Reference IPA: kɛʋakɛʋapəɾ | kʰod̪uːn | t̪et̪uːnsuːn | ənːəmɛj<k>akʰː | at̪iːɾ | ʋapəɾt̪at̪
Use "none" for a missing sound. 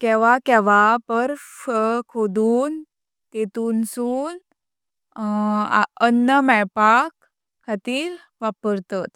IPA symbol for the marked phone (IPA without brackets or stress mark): p